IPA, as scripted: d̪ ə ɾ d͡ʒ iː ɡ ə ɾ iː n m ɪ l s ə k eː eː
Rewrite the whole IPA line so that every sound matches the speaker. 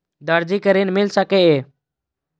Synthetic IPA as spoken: d̪ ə ɾ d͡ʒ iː k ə ɾ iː n m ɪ l s ə k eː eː